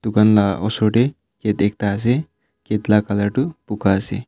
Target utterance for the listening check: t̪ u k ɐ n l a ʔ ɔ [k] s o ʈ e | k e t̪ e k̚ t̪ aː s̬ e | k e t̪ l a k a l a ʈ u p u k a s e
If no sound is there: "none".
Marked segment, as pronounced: none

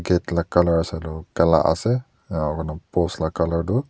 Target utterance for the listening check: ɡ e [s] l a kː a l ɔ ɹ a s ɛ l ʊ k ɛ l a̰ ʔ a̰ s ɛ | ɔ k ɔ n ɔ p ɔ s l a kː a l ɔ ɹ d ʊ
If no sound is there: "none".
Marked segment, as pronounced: t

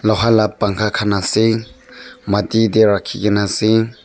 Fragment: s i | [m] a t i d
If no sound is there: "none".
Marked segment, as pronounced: m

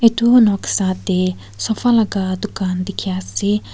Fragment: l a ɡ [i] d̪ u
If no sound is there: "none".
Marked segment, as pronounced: a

